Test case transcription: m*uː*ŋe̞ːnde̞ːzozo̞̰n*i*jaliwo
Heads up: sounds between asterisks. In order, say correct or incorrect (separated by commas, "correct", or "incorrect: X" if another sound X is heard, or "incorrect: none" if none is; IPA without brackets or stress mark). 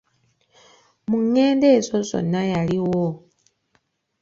incorrect: u, incorrect: a